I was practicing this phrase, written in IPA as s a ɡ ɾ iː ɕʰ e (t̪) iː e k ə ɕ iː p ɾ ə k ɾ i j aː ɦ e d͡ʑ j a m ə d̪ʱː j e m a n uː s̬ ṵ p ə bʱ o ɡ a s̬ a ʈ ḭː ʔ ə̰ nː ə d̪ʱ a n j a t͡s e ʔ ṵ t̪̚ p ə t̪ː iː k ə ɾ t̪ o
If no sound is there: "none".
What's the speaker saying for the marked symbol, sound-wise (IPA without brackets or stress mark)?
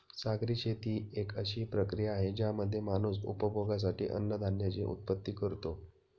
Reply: t̪